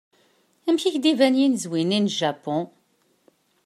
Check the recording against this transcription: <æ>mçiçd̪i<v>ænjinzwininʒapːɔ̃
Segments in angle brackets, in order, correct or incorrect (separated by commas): correct, correct